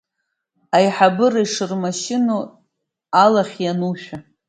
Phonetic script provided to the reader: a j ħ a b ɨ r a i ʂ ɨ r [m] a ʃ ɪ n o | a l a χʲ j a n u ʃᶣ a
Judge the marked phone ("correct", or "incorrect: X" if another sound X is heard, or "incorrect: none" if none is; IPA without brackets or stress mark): correct